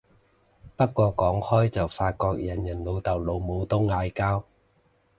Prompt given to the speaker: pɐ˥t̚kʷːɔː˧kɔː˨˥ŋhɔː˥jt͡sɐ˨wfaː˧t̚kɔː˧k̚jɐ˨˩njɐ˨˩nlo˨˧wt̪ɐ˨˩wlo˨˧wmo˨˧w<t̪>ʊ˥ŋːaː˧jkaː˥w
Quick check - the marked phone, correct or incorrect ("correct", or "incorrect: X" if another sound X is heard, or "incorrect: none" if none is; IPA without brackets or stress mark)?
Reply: correct